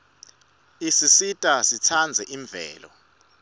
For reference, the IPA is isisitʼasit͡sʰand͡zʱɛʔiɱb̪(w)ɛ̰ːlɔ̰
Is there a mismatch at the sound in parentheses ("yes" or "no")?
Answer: yes